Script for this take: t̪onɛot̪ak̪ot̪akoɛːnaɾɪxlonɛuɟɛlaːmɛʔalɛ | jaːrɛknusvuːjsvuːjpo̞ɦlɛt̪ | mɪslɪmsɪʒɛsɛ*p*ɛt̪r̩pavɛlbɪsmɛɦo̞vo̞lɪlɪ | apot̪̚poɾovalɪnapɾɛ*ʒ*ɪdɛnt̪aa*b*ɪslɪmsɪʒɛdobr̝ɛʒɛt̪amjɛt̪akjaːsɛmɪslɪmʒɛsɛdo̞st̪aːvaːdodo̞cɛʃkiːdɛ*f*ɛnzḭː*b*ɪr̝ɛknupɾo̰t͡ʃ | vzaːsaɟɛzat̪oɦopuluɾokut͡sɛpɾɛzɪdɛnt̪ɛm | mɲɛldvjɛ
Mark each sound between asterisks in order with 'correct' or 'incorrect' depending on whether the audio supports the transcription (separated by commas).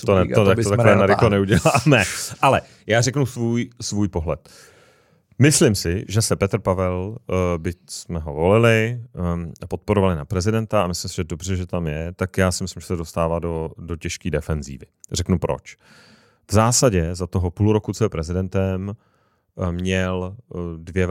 correct, incorrect, incorrect, correct, incorrect